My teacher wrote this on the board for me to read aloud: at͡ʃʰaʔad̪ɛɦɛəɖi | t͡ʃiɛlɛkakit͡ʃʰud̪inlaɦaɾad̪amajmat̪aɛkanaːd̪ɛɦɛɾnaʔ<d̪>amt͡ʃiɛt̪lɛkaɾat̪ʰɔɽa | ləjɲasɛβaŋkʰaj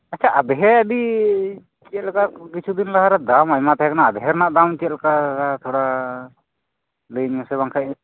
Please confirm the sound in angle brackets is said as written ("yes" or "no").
yes